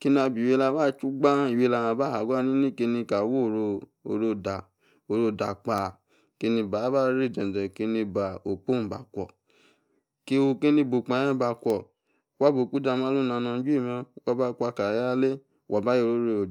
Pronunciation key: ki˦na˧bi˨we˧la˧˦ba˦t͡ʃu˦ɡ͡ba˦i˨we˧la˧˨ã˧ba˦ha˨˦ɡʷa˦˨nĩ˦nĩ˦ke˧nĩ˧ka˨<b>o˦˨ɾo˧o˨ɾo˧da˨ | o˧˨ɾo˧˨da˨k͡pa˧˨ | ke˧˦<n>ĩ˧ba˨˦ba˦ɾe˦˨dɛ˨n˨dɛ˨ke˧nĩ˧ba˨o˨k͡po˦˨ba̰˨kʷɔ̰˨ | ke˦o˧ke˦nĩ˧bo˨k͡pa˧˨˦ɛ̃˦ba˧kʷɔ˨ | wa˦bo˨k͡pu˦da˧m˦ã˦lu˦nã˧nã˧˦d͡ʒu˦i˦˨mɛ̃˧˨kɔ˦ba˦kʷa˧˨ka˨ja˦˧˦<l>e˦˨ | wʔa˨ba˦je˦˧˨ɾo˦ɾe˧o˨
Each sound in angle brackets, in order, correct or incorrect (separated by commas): incorrect, correct, correct